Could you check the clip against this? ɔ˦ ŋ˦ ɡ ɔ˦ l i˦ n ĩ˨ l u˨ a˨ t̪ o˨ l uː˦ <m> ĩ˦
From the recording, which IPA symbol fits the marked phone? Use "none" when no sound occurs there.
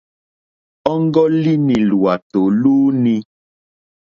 n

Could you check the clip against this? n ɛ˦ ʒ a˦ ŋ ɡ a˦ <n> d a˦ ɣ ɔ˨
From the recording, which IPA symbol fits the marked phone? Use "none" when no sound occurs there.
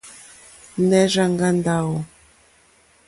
n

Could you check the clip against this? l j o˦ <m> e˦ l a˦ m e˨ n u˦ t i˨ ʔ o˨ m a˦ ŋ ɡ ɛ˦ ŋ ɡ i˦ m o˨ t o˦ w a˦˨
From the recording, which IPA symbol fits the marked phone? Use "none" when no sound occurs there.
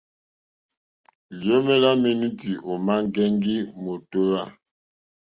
m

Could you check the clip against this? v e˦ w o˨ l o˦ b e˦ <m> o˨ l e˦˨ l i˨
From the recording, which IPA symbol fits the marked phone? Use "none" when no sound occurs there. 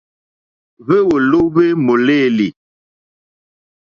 m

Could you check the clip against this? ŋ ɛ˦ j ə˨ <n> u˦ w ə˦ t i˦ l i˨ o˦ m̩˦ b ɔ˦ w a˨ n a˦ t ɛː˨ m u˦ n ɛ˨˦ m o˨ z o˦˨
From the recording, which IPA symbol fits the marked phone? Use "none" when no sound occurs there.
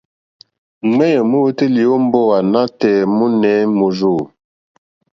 m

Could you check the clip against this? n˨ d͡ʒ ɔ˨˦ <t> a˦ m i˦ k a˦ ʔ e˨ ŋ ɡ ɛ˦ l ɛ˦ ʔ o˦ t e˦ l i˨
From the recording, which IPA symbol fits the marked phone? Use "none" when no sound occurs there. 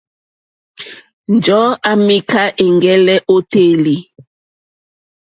none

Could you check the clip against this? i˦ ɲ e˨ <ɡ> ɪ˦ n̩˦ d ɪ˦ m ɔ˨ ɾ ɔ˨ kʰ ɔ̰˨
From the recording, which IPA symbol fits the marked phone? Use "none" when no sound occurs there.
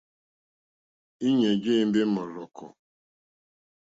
ɡ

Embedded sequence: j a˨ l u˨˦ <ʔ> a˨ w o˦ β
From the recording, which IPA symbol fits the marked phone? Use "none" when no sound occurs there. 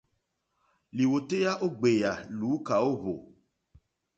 k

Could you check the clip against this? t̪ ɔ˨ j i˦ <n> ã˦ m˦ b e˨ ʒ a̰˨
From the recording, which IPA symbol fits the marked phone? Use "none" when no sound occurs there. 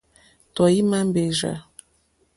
m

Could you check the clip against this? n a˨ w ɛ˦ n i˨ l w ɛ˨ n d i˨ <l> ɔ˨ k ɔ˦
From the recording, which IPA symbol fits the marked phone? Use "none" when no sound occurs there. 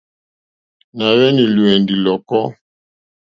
l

